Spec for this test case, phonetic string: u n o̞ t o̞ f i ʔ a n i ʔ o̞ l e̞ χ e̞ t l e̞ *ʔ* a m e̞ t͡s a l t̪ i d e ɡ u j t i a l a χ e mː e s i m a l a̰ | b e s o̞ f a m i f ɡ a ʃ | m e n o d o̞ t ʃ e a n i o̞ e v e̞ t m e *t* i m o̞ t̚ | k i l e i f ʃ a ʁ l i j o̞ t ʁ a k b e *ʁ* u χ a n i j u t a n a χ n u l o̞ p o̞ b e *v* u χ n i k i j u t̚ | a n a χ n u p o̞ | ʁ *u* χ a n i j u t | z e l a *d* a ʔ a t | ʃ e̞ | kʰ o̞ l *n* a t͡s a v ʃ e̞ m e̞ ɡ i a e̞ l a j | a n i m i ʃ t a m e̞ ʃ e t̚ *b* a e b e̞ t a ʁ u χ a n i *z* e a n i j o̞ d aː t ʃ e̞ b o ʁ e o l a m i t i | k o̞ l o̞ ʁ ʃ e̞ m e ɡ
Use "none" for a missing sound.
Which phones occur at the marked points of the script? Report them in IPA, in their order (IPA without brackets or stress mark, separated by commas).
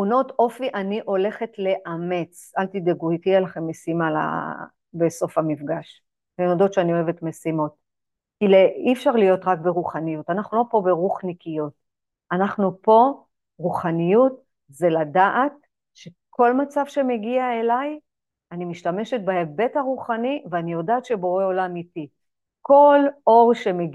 ʔ, s, ʁ, ʁ, u, d, m, b, v